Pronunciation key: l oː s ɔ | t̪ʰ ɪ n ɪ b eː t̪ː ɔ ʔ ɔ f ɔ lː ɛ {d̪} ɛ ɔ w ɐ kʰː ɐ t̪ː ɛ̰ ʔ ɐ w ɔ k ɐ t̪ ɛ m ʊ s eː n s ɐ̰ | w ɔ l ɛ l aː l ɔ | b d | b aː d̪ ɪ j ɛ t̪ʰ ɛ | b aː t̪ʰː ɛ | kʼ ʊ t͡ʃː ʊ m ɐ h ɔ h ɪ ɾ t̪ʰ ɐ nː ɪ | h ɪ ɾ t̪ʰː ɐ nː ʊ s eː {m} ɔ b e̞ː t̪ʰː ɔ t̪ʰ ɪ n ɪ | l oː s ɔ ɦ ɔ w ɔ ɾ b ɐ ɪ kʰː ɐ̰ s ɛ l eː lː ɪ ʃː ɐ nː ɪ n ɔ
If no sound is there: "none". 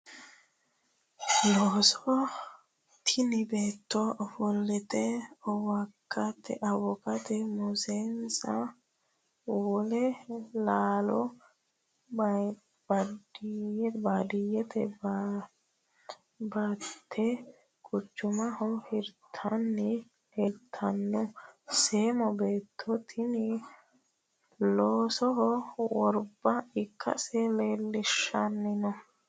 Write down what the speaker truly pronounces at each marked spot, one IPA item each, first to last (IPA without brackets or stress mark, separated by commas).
t̪, m